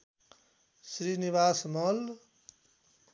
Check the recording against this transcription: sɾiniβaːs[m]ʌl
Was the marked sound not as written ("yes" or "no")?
no